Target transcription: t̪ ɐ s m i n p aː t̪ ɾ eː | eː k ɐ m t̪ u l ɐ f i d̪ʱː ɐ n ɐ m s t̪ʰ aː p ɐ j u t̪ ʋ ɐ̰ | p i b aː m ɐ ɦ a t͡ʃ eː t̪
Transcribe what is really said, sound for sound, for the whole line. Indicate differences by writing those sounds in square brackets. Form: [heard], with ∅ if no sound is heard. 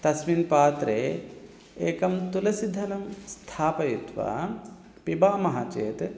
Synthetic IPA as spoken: t̪ ɐ s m i n p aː t̪ ɾ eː | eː k ɐ m t̪ u l ɐ [s] i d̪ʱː ɐ n ɐ m s t̪ʰ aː p ɐ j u t̪ ʋ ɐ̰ | p i b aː m ɐ ɦ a t͡ʃ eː t̪